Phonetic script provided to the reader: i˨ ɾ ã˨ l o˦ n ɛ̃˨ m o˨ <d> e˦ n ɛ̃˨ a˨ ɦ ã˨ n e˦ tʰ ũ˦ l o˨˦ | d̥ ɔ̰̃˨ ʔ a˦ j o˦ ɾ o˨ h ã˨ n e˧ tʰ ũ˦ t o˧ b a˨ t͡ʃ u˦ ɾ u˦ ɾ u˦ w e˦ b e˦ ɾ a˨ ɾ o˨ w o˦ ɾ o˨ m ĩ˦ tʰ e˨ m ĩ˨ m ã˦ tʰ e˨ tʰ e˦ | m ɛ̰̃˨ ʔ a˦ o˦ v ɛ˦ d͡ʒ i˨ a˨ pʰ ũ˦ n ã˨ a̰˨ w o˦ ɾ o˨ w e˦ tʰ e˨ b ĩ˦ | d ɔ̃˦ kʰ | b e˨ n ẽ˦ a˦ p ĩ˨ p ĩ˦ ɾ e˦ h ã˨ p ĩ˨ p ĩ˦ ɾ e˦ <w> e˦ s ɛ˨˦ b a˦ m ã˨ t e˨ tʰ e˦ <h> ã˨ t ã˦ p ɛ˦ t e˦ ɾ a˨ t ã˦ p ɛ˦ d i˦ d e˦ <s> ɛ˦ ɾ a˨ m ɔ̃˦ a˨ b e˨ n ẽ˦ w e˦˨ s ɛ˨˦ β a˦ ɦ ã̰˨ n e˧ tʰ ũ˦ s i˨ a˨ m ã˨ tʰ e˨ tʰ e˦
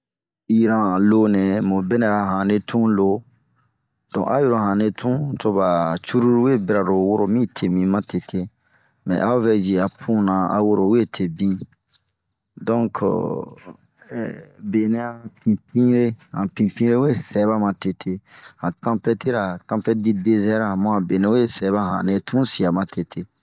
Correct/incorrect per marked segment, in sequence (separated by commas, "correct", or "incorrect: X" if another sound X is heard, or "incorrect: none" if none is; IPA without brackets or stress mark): incorrect: b, correct, correct, incorrect: z